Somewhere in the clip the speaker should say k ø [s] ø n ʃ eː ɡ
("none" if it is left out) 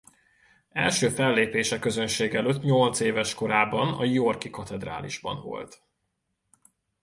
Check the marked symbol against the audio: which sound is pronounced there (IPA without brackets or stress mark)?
z